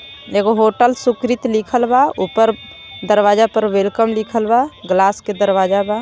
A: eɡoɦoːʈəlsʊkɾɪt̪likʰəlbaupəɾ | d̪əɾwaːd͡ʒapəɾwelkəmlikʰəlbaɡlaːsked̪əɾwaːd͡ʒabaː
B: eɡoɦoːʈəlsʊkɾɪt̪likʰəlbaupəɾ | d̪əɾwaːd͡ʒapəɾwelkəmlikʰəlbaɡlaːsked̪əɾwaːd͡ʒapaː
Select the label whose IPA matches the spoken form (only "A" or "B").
A